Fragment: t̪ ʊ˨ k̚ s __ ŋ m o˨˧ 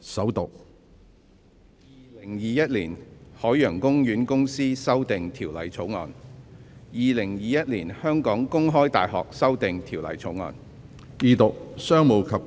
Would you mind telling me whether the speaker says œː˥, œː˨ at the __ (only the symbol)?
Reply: œː˥